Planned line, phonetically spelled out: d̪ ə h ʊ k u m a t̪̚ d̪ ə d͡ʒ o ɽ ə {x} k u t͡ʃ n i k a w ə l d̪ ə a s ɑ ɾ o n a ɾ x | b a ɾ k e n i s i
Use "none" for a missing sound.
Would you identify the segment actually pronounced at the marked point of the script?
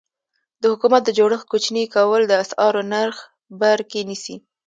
x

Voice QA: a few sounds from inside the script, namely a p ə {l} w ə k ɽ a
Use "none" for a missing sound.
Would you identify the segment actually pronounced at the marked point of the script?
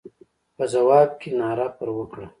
ɾ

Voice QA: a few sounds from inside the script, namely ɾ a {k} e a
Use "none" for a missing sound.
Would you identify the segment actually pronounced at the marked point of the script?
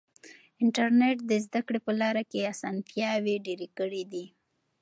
k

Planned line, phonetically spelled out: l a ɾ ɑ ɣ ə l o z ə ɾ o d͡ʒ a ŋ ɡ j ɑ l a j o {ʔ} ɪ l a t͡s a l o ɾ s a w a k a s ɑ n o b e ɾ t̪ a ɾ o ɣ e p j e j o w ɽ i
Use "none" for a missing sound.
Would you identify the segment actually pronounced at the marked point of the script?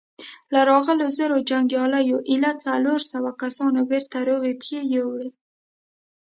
ʔ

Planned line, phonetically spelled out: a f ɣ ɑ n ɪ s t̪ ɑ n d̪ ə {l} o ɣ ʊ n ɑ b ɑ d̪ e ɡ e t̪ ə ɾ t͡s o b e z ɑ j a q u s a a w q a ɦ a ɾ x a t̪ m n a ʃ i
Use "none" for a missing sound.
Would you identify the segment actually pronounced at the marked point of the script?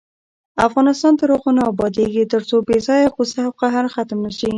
ɾ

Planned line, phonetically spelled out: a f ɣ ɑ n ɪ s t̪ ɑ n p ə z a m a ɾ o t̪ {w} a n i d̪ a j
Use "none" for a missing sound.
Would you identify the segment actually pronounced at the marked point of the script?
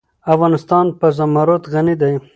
ɣ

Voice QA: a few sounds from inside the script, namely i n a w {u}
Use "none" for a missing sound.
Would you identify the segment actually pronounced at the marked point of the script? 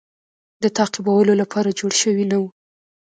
u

